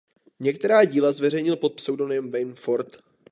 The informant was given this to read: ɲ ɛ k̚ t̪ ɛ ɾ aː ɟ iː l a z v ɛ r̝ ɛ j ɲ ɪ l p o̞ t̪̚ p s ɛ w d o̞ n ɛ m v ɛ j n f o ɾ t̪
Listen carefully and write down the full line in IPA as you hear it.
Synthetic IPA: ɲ ɛ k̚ t̪ ɛ ɾ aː ɟ iː l a z v ɛ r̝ ɛ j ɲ ɪ l p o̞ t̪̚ p s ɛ w d o̞ n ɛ m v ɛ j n f o ɾ t̪